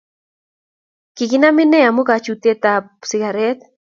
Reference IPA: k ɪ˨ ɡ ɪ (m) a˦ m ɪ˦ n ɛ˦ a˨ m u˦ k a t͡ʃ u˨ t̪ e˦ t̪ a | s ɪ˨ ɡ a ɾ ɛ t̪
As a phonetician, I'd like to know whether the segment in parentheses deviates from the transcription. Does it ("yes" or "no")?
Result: yes